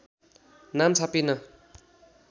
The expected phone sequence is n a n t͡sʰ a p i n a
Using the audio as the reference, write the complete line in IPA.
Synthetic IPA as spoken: n a m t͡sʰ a p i n ʌ

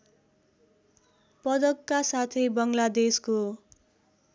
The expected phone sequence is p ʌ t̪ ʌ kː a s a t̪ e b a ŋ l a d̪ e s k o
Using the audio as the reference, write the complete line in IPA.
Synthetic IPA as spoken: p ʌ d̪ ʌ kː a s a t̪ʰ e b ʌ ŋ l a d̪ e s k o

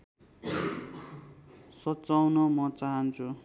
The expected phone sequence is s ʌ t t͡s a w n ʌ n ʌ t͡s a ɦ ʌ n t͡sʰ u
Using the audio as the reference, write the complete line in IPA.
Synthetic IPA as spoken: s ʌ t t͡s a w n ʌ m ʌ t͡s a ɦ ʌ n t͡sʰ u

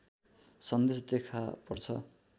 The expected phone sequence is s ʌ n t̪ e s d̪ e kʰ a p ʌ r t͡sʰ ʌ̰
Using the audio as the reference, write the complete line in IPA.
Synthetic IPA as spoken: s ʌ n d̪ e s d̪ e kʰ a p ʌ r t͡sʰ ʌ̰

